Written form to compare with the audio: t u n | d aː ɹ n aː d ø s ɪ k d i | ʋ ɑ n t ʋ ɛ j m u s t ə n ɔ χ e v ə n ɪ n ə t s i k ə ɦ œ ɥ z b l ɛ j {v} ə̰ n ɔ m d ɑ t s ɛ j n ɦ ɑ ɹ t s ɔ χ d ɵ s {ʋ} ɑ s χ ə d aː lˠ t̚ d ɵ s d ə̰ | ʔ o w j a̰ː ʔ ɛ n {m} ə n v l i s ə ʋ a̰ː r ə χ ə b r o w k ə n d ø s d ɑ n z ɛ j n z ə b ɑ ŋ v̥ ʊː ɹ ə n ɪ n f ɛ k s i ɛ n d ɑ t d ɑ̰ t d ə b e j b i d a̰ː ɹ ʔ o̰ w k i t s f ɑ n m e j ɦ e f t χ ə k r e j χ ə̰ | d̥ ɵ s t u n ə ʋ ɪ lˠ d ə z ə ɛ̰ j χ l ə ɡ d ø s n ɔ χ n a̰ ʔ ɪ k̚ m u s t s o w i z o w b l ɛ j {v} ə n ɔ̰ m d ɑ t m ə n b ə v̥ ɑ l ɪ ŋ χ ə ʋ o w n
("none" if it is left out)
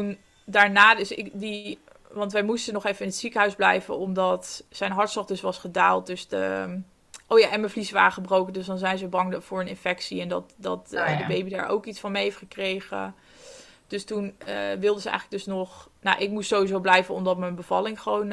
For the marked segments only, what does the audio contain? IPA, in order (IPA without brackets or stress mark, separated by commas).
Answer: v, ʋ, m, v